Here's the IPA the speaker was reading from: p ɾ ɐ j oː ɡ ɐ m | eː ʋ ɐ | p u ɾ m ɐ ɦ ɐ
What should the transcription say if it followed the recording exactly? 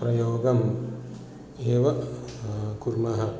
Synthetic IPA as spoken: p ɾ ɐ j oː ɡ ɐ m | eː ʋ ɐ | k u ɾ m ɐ ɦ ɐ

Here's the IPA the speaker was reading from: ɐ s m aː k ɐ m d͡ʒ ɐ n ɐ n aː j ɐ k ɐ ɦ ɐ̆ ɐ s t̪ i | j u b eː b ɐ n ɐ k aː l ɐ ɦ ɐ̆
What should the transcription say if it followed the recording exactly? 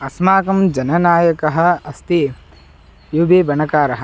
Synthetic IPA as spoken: ɐ s m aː k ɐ m d͡ʒ ɐ n ɐ n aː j ɐ k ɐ ɦ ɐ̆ ɐ s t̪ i | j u b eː b ɐ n ɐ k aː ɾ ɐ ɦ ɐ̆

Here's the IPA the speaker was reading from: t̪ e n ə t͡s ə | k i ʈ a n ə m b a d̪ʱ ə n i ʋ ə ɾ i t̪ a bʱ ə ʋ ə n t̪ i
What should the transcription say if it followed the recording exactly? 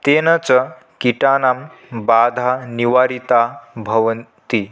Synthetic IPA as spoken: t̪ e n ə t͡s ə | k i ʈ a n a m b a d̪ʱ a n i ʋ a ɾ i t̪ a bʱ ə ʋ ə n t̪ i

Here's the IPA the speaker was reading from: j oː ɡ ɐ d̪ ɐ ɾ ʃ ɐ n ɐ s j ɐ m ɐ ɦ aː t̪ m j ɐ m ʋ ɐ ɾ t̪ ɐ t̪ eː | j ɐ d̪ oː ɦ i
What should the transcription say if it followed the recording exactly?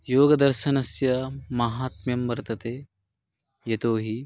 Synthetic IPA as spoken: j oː ɡ ɐ d̪ ɐ ɾ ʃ ɐ n ɐ s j ɐ m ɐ ɦ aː t̪ m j ɐ m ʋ ɐ ɾ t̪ ɐ t̪ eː | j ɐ t̪ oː ɦ i

